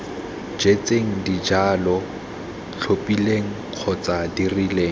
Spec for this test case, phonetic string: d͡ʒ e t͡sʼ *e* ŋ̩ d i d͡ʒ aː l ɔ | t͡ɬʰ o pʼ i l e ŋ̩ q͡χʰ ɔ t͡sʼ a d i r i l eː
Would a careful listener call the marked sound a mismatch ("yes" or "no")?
no